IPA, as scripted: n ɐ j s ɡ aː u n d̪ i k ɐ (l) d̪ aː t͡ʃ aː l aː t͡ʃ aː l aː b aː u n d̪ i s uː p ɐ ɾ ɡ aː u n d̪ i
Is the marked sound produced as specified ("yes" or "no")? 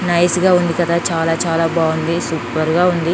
no